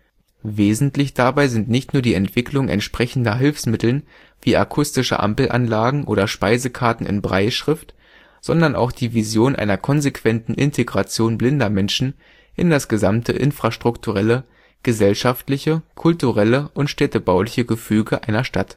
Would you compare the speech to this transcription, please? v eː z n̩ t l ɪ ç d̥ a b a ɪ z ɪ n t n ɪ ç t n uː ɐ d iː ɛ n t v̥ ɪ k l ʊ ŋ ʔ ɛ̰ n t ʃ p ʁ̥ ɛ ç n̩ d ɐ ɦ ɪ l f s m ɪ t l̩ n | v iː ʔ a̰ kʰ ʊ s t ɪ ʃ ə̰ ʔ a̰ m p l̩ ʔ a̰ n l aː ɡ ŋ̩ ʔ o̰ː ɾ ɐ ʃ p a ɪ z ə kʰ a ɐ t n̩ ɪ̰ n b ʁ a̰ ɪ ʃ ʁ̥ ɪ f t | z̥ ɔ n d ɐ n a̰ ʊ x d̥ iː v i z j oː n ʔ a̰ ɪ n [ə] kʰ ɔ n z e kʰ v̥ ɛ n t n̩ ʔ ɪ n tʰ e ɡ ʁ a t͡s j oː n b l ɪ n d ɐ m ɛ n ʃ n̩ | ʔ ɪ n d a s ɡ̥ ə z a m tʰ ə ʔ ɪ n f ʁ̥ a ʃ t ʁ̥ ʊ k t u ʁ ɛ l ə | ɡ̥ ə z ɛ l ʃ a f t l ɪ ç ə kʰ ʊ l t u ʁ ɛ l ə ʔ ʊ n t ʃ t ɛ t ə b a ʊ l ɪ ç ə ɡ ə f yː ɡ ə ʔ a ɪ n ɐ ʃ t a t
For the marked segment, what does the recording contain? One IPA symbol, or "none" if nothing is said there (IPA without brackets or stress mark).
ɐ